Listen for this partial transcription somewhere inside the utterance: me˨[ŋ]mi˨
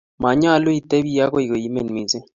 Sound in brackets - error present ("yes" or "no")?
yes